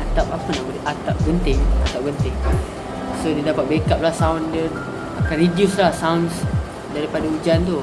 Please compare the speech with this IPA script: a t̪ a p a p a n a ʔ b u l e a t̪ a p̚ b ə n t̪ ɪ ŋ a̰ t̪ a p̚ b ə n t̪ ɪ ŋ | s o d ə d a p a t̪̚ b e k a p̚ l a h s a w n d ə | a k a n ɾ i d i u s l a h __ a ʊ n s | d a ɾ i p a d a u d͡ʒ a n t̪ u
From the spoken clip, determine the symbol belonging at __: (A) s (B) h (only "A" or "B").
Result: A